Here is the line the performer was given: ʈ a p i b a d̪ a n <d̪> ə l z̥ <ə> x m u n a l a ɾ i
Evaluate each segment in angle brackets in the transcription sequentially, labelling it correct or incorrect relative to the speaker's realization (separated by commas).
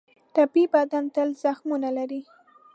incorrect, incorrect